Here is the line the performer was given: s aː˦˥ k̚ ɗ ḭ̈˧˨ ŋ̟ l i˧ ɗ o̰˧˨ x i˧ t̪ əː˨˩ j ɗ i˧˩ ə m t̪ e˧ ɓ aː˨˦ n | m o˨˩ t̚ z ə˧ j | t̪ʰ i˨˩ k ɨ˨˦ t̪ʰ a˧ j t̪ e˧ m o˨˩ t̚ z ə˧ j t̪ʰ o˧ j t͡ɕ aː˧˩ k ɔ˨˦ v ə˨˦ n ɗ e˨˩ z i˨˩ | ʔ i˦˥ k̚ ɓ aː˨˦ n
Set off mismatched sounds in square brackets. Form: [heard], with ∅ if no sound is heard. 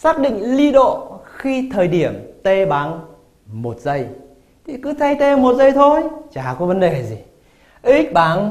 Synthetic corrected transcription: s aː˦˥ k̚ ɗ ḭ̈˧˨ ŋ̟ l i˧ ɗ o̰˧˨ x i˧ [t̪ʰ] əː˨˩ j ɗ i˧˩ ə m t̪ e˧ ɓ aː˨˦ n | m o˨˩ t̚ z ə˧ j | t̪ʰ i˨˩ k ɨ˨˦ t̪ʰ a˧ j t̪ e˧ m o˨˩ t̚ z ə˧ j t̪ʰ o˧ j t͡ɕ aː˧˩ k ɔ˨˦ v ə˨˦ n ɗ e˨˩ z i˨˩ | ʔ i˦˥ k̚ ɓ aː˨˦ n